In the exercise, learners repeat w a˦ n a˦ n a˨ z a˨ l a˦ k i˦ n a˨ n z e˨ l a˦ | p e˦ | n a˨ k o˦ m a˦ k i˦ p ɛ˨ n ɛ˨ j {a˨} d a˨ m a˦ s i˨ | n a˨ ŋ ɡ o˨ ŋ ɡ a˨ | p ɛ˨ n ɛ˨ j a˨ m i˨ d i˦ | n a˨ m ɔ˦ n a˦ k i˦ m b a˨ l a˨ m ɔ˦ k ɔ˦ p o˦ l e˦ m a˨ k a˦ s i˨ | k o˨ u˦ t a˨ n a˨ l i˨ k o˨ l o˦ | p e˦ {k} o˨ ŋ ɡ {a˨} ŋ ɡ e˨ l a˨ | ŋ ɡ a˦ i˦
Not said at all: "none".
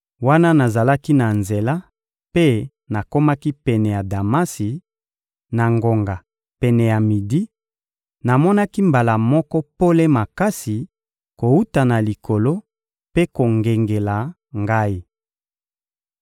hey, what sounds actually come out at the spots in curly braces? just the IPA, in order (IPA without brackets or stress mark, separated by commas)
a˨, k, e˨